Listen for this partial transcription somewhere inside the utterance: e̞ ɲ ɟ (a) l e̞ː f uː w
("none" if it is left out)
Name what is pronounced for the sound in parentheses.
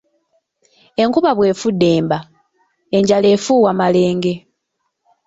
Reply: a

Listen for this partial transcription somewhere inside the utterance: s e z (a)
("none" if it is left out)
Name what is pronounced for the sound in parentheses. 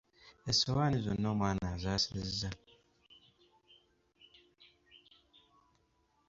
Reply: a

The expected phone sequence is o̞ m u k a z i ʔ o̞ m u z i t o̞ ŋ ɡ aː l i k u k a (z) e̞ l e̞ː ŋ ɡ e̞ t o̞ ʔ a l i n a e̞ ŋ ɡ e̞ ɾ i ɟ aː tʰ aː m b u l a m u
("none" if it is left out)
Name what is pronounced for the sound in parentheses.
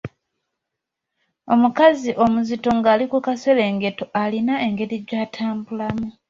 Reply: s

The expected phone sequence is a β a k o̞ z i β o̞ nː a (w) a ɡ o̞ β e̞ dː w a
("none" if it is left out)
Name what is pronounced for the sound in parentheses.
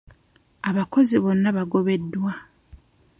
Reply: β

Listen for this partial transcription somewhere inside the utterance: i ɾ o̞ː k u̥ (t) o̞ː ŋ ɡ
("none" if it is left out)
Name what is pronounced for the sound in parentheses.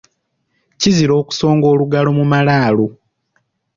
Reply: s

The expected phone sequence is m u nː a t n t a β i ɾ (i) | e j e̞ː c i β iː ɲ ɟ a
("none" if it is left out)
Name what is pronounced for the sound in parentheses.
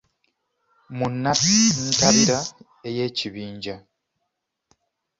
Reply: a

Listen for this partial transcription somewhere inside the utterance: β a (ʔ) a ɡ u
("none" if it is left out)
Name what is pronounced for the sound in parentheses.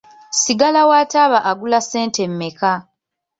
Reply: ʔ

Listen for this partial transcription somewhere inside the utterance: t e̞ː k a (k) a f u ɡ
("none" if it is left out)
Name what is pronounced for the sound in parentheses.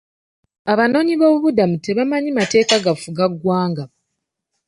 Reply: ɡ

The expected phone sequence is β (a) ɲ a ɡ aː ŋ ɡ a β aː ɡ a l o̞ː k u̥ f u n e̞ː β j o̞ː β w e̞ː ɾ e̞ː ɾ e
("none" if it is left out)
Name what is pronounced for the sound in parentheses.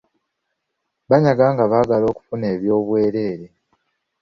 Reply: a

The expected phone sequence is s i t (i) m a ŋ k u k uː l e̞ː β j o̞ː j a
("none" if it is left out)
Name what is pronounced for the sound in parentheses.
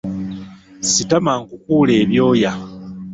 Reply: a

